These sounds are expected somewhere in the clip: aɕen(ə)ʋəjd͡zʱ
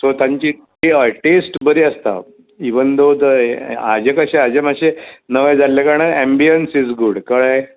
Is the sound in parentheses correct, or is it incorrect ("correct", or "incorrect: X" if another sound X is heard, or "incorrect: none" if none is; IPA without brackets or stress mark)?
correct